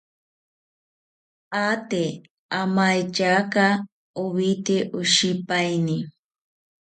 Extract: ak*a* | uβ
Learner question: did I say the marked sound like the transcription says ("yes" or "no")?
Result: yes